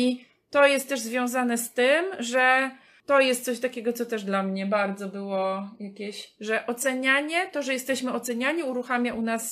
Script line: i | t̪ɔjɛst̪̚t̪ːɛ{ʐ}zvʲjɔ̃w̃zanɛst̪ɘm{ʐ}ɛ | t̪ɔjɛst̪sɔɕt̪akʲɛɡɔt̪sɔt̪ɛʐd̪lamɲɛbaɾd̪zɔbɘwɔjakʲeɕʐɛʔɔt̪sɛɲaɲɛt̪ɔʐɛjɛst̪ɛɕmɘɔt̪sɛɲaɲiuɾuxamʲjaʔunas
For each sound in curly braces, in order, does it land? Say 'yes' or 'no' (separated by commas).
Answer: yes, yes